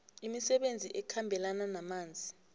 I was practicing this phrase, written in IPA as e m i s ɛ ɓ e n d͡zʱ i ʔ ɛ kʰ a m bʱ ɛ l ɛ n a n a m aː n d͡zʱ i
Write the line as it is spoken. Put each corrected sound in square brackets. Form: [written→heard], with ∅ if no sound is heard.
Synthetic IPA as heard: [e→i] m i s ɛ ɓ e n d͡zʱ i ʔ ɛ kʰ a m bʱ ɛ l [ɛ→a] n a n a m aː n d͡zʱ i